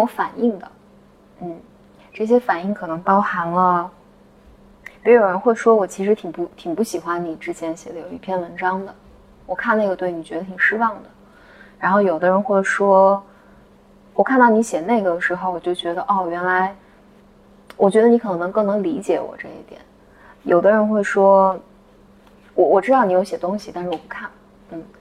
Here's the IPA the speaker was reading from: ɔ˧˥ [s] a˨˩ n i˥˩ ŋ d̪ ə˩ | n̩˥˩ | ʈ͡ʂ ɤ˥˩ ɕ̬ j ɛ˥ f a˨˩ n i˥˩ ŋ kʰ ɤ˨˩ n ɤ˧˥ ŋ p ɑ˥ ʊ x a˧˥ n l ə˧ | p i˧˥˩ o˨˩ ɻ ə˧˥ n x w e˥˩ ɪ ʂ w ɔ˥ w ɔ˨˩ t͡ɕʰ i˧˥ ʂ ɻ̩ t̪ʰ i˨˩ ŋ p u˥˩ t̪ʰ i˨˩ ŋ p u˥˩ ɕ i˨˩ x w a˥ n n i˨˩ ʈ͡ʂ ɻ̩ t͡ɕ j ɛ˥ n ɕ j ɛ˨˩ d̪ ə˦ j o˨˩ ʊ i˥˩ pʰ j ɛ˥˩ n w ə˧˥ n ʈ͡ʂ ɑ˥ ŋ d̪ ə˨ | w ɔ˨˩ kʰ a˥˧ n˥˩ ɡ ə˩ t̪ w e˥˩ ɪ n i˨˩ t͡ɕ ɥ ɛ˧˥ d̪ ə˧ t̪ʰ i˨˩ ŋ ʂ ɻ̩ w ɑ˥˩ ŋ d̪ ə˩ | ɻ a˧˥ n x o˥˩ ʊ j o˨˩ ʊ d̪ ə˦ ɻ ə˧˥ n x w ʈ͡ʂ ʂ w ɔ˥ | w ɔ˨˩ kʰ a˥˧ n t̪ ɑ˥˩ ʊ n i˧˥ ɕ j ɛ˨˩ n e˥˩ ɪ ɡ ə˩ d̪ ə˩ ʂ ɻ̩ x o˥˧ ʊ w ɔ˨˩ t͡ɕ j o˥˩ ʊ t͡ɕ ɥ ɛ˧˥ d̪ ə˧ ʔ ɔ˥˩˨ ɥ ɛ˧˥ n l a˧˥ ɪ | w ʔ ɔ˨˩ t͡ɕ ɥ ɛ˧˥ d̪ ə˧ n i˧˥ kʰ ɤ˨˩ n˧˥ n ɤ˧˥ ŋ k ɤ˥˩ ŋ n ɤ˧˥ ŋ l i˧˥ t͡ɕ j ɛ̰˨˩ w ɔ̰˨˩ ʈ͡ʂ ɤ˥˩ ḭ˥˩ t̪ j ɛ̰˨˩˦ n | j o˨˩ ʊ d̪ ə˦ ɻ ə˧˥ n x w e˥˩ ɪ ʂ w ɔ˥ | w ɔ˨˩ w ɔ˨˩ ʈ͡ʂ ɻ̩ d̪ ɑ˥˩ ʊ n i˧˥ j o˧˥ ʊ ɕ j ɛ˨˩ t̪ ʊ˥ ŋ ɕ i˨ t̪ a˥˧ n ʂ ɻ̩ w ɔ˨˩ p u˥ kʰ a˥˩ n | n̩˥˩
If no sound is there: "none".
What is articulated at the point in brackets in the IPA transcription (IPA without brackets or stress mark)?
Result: f